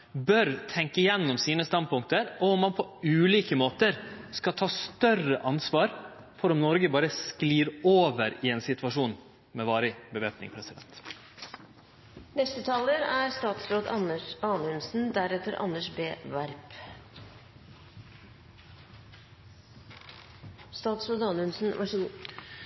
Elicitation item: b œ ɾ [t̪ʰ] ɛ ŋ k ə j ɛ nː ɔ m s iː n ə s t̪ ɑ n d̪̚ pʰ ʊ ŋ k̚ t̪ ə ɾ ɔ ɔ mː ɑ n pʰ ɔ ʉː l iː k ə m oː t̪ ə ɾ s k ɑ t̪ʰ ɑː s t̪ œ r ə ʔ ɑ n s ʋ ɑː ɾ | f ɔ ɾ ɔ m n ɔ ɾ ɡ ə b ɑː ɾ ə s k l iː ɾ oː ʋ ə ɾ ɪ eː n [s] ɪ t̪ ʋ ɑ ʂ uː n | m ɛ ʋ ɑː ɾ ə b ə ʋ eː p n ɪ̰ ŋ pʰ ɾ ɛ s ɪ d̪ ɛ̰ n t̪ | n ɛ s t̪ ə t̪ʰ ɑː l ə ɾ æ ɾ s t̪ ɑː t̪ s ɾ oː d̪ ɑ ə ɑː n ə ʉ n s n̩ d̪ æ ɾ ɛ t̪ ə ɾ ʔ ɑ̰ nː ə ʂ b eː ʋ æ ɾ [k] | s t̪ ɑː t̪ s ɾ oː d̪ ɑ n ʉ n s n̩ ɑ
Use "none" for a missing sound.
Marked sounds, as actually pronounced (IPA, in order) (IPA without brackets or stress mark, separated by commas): t̪ʰ, s, p